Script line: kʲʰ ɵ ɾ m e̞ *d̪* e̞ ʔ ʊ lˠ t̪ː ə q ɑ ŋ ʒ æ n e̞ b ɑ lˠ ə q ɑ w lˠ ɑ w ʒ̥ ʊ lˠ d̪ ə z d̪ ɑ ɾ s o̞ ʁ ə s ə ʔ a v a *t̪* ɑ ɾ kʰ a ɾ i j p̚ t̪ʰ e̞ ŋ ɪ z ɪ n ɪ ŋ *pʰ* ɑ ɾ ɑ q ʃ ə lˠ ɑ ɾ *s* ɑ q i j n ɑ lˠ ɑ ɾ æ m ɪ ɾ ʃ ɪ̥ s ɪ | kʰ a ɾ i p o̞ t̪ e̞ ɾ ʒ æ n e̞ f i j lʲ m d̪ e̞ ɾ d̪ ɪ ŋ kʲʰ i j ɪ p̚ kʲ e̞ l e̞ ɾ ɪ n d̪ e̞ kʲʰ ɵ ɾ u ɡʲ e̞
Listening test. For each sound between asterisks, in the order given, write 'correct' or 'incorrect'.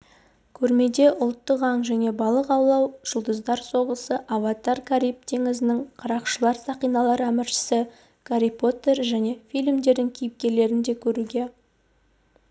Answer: correct, correct, incorrect, correct

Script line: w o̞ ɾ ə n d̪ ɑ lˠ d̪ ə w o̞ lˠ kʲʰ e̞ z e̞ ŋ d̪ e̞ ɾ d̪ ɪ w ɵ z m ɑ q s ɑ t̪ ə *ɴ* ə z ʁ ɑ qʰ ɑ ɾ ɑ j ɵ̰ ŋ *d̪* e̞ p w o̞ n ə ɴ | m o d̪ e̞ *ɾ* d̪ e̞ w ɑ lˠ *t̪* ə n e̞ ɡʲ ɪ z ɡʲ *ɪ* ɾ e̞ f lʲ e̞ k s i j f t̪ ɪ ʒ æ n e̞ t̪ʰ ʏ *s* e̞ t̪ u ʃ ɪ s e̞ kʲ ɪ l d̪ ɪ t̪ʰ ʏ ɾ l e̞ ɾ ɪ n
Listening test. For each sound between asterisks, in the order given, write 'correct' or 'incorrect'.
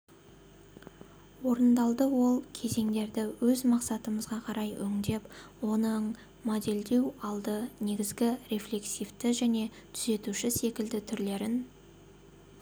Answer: incorrect, correct, incorrect, incorrect, correct, incorrect

